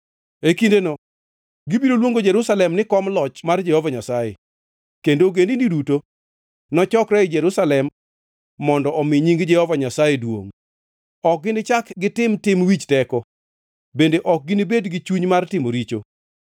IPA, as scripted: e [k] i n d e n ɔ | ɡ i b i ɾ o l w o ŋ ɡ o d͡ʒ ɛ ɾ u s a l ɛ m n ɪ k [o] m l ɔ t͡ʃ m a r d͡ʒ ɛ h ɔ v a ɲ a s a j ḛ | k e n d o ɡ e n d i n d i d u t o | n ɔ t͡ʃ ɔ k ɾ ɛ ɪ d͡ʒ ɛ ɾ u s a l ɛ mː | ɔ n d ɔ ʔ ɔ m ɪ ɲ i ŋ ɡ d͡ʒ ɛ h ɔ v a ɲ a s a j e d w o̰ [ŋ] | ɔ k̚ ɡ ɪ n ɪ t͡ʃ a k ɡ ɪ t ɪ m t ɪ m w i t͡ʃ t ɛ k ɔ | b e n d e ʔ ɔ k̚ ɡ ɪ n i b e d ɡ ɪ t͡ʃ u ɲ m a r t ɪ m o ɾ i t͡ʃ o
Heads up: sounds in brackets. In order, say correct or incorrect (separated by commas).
correct, incorrect, correct